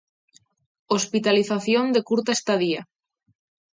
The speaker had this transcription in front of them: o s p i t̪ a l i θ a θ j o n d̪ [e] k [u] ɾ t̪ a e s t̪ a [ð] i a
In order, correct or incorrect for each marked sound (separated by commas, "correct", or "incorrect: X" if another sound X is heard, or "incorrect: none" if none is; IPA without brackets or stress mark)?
correct, correct, correct